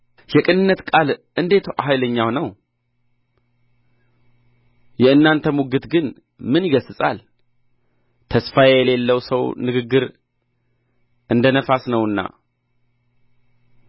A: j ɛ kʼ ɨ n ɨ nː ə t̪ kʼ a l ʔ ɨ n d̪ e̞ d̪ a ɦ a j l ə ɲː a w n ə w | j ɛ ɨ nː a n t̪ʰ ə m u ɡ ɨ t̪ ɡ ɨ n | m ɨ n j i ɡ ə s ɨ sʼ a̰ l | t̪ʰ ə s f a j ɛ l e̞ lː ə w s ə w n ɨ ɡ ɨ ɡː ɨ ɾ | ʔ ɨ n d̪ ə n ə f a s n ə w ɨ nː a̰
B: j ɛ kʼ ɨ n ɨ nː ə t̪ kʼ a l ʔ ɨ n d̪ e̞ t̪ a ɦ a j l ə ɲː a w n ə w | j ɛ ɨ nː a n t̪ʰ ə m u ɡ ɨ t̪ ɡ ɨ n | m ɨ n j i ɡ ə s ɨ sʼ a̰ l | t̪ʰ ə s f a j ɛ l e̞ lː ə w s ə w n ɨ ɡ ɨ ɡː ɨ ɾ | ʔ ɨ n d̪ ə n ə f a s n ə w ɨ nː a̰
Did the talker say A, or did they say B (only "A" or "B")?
B